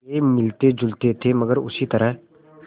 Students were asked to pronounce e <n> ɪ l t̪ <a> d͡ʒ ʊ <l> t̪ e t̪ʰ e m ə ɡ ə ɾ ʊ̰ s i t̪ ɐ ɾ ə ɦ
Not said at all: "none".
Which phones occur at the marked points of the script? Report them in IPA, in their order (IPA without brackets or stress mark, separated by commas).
m, e, l